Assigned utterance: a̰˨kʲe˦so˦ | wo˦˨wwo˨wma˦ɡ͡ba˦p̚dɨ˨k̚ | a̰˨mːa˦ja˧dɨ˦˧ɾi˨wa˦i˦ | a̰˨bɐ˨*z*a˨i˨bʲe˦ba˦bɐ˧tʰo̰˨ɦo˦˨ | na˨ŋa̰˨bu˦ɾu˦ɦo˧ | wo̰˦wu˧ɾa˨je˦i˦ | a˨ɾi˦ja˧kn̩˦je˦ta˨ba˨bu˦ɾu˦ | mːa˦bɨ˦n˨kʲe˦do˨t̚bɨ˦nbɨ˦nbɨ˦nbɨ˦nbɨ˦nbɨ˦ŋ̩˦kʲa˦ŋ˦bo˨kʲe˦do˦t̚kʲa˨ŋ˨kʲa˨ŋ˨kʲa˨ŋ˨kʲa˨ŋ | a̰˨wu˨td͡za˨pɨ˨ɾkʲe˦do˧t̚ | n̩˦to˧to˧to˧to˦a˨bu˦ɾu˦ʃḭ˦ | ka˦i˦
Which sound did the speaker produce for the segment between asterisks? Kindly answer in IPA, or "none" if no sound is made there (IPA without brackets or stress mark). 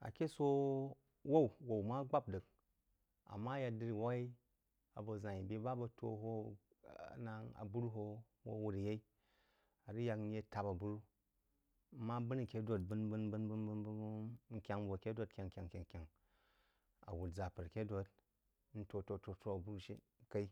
z